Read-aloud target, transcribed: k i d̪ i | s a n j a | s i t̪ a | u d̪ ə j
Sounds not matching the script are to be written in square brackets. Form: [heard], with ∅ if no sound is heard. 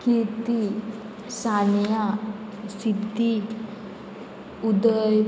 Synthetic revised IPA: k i [t̪] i | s a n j a | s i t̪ [i] | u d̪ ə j